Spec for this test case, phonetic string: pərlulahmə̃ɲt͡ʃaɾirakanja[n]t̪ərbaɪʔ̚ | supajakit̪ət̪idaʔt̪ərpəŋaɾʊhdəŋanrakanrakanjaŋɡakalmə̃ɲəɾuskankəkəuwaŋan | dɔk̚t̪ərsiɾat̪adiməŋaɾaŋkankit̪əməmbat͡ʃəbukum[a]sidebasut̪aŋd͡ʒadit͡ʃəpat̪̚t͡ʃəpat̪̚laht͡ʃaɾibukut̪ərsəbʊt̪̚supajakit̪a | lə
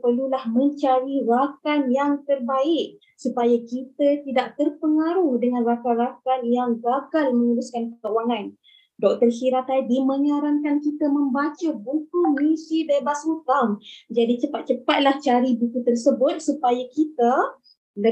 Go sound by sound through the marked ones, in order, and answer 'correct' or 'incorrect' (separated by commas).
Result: incorrect, incorrect